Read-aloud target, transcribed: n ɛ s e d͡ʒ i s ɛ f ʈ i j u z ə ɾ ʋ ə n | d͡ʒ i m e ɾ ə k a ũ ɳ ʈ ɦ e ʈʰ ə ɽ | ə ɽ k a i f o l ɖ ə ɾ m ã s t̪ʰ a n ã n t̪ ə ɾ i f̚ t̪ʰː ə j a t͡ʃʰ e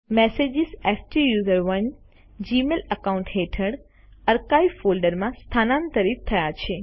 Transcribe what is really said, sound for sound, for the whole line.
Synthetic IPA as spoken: m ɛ s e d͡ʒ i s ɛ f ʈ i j u z ə ɾ ʋ ə n | d͡ʒ i m e l ə k a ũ ɳ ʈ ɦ e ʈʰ ə ɽ | ə ɾ k a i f o l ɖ ə ɾ m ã s t̪ʰ a n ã n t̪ ə ɾ i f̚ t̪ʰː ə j a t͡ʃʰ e